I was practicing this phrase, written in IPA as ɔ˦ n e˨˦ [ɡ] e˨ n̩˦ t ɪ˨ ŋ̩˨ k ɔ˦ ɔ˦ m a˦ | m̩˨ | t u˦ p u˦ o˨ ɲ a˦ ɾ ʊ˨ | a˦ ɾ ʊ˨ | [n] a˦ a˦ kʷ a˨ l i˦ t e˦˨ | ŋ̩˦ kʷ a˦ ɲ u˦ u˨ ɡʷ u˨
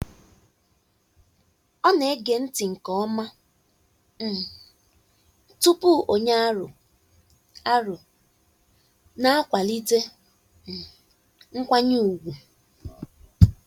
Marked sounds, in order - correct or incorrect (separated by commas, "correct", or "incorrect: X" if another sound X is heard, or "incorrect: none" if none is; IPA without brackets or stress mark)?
correct, correct